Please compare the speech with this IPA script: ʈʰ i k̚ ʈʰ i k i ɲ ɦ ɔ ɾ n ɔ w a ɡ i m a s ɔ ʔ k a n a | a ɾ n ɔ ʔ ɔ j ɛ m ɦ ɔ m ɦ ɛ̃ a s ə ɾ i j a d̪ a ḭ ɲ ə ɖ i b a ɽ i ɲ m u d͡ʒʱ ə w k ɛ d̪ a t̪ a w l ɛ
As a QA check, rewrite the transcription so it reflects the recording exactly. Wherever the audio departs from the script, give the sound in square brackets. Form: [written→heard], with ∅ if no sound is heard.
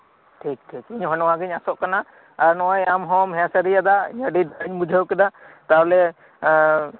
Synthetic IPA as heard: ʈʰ i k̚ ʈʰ i k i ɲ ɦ ɔ [ɾ→∅] n ɔ w a ɡ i [m→ɲ] a s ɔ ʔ k a n a | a ɾ n ɔ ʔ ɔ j [ɛ→a] m ɦ ɔ m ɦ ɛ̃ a s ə ɾ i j a d̪ a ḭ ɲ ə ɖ i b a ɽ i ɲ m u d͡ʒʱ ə w k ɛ d̪ a t̪ a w l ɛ